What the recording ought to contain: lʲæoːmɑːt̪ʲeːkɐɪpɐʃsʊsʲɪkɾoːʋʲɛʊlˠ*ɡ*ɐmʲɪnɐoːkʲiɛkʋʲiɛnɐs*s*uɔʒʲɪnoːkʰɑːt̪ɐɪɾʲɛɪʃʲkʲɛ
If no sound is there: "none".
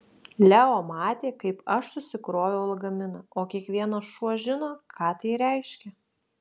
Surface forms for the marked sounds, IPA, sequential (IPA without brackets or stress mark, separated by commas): ɡ, ʃ